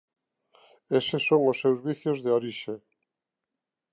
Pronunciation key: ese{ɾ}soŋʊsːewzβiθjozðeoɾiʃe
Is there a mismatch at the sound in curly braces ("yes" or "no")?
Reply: yes